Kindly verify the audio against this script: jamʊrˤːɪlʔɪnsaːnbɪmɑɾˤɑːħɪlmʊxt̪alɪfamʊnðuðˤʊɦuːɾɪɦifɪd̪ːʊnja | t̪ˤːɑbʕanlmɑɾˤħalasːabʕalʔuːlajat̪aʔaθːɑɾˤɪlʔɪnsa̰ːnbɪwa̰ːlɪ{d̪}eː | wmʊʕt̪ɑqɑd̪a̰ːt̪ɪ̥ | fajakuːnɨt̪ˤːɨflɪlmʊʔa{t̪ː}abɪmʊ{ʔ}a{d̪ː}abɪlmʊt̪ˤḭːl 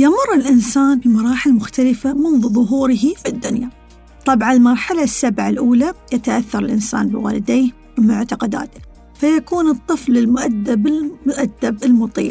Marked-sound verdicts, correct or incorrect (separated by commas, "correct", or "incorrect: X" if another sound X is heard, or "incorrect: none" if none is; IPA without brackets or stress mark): correct, incorrect: d̪ː, correct, correct